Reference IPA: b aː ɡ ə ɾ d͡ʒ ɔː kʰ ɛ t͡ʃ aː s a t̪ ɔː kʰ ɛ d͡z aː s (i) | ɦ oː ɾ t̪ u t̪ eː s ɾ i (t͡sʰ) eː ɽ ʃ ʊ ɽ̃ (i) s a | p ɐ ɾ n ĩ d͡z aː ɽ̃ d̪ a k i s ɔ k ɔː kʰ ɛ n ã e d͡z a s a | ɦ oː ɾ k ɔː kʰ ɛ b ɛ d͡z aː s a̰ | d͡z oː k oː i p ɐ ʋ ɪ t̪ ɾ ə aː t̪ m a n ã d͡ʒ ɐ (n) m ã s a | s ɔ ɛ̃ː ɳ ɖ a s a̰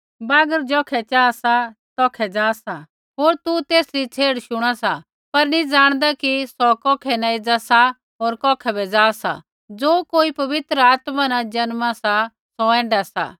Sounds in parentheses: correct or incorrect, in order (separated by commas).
incorrect, correct, incorrect, correct